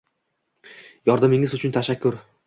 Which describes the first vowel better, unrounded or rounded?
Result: rounded